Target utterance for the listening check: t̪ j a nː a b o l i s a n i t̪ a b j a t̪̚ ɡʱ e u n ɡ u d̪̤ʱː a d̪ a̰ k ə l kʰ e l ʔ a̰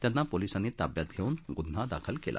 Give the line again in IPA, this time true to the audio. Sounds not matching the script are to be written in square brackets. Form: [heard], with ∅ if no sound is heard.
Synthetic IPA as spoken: t̪ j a nː a [p] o l i s a n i t̪ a b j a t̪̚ ɡʱ e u n ɡ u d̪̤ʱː a d̪ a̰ [kʰ] ə l [k] e l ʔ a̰

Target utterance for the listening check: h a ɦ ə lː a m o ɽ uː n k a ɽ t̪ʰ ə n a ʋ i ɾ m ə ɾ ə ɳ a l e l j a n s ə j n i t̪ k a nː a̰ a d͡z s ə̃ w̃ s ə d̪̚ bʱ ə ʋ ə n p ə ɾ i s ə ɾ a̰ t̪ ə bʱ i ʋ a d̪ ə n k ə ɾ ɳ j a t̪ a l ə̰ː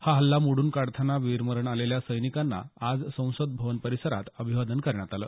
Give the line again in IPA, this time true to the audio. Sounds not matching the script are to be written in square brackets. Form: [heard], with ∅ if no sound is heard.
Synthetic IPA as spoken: h a ɦ ə lː a m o ɽ uː n k a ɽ t̪ʰ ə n a ʋ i ɾ m ə ɾ ə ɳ a l e l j a [∅] s ə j n i [∅] k a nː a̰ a d͡z s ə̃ w̃ s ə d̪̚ bʱ ə ʋ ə n p ə ɾ i s ə ɾ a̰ t̪ ə bʱ i ʋ a d̪ ə n k ə ɾ ɳ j a t̪ a l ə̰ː

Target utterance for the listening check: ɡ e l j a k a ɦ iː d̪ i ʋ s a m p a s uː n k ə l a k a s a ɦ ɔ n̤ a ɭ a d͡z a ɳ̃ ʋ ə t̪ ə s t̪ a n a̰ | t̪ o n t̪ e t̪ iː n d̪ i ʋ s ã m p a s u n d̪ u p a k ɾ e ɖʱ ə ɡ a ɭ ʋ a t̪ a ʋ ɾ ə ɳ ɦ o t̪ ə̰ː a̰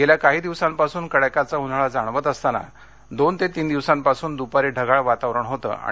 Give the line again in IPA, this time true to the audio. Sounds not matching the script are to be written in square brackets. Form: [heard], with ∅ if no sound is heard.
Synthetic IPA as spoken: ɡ e l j a k a ɦ iː d̪ i ʋ s a m p a s uː n k ə [ɽ] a k a [t͡s] a ɦ [u] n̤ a ɭ a d͡z a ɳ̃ ʋ ə t̪ ə s t̪ a n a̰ | [d̪] o n t̪ e t̪ iː n d̪ i ʋ s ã m p a s [uː] n d̪ u p a [∅] ɾ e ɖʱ ə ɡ a ɭ ʋ a t̪ a ʋ ɾ ə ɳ ɦ o t̪ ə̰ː a̰

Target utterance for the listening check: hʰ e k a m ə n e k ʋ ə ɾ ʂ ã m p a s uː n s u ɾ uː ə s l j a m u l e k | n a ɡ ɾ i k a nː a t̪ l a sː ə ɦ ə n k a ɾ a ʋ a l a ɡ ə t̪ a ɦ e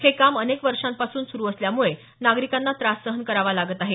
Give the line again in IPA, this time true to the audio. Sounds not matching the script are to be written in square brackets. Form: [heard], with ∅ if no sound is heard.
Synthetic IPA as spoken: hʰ e k a m ə n e k ʋ ə ɾ ʂ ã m p a s uː n s u ɾ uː ə s l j a m u [ɭ] e [∅] | n a ɡ ɾ i k a nː a t̪ [ɾ] a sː ə ɦ ə n k [ə] ɾ a ʋ a l a ɡ ə t̪ a ɦ e

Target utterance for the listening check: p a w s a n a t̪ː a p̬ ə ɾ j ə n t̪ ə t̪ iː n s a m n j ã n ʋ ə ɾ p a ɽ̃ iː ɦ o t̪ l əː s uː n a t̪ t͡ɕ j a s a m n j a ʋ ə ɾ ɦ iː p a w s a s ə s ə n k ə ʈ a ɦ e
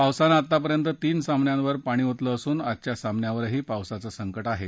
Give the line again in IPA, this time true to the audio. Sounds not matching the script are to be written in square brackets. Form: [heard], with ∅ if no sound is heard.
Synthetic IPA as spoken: p a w s a n a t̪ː a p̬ ə ɾ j ə n t̪ ə t̪ iː n s a m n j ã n ʋ ə ɾ p a ɽ̃ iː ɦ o t̪ l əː s uː n a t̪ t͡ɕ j a s a m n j a ʋ ə ɾ ɦ iː p a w s a [t͡s] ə s ə [ŋ] k ə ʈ a ɦ e

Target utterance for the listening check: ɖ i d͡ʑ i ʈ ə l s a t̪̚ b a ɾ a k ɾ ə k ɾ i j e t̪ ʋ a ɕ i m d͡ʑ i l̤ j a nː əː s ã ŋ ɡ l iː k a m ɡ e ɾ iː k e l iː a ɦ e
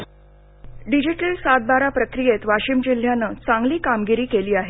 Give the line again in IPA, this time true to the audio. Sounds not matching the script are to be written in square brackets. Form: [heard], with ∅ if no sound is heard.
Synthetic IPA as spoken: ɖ i d͡ʑ i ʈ ə l s a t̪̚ b a ɾ a [p] ɾ ə k ɾ i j e t̪ ʋ a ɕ i m d͡ʑ i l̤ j a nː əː [t͡s] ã ŋ ɡ l iː k a m ɡ [i] ɾ iː k e l iː a ɦ e

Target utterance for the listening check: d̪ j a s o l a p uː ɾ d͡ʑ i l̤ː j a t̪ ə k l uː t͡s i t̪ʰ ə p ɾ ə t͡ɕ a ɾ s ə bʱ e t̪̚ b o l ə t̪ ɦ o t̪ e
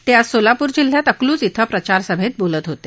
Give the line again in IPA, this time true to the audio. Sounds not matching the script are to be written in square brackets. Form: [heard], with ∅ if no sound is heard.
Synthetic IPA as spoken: [t̪] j a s o l a p uː ɾ d͡ʑ i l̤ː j a t̪ ə k l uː t͡s i t̪ʰ ə p ɾ ə t͡ɕ a ɾ s ə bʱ e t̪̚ b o l ə t̪ ɦ o t̪ e

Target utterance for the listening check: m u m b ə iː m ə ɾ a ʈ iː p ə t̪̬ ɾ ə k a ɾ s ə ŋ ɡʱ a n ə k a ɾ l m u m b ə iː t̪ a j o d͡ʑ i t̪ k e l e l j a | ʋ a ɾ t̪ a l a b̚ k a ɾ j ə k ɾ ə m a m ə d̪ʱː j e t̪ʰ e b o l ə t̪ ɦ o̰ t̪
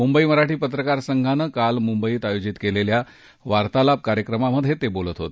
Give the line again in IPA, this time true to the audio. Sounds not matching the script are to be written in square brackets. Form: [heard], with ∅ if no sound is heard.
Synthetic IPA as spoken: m u m b ə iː m ə ɾ a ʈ iː p ə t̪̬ ɾ ə k a ɾ s ə ŋ ɡʱ a n ə k a [∅] l m u m b ə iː t̪ a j o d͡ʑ i t̪ k e l e l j a | ʋ a ɾ t̪ a l a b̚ k a ɾ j ə k ɾ ə m a m ə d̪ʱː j e [t̪] e b o l ə t̪ ɦ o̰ t̪

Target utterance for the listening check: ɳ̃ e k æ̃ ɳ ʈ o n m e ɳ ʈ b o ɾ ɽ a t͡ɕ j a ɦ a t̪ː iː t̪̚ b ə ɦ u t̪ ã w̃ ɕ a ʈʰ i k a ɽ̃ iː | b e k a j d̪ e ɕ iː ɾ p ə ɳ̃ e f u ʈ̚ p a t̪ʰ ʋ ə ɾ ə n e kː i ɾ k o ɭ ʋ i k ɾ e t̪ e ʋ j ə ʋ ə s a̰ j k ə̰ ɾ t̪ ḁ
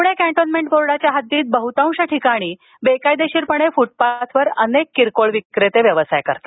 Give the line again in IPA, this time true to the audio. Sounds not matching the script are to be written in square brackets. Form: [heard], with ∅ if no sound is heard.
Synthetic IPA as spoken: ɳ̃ e k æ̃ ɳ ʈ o n m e ɳ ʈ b o ɾ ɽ a t͡ɕ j a ɦ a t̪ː iː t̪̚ b ə ɦ u t̪ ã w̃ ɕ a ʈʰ i k a ɽ̃ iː | b e k a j d̪ e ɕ iː ɾ p ə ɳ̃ e f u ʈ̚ p a t̪ʰ ʋ ə ɾ ə n e kː i ɾ k o ɭ ʋ i k ɾ e t̪ e ʋ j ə ʋ ə s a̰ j k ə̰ ɾ t̪ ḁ

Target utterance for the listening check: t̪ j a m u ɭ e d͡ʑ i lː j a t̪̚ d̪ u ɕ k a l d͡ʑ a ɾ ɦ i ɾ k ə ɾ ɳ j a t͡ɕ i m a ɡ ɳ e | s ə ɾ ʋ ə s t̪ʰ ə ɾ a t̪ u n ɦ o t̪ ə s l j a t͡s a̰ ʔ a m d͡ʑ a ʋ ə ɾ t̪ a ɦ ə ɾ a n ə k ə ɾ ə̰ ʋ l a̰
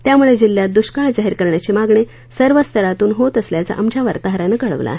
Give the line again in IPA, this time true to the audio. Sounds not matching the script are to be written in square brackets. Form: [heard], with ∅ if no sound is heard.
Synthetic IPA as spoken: t̪ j a m u ɭ e d͡ʑ i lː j a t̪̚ d̪ u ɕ k a [ɭ] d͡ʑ a [∅] ɦ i ɾ k ə ɾ ɳ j a t͡ɕ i m a ɡ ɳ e | s ə ɾ ʋ ə s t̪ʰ ə ɾ a t̪ [uː] n ɦ o t̪ ə s l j a t͡s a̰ ʔ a m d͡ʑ a ʋ ə ɾ t̪ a ɦ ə ɾ a n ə k ə [ɭ] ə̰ ʋ l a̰

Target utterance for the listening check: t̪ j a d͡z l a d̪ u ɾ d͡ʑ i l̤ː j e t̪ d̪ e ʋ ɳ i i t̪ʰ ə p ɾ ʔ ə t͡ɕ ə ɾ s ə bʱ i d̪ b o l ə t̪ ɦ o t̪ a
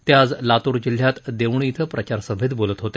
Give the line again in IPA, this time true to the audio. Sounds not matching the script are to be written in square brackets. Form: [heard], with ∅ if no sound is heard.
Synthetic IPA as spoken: t̪ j a d͡z l a [t̪] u ɾ d͡ʑ i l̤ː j [a] t̪ d̪ e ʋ ɳ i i t̪ʰ ə p ɾ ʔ ə t͡ɕ [a] ɾ s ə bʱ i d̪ b o l ə t̪ ɦ o t̪ [e]

